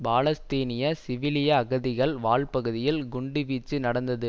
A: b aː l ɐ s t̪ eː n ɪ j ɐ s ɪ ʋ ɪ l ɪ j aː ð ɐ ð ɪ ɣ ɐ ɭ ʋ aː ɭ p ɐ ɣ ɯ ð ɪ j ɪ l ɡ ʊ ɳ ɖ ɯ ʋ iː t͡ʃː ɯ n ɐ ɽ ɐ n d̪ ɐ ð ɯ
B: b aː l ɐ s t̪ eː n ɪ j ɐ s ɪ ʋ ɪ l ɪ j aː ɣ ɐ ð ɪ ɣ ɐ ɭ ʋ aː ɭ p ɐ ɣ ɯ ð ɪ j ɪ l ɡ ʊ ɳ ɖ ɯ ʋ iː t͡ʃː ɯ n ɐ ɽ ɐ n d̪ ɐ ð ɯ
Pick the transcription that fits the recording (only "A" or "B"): B